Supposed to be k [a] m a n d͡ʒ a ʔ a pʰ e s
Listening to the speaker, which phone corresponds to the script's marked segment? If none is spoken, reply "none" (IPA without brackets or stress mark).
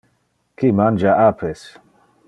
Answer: i